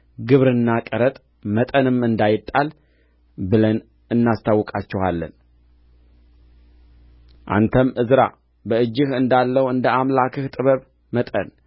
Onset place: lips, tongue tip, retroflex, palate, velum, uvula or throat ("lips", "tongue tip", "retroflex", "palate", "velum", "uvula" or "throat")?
velum